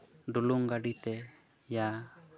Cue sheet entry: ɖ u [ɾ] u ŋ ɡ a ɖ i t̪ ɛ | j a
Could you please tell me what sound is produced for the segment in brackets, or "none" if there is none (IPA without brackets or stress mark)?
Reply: l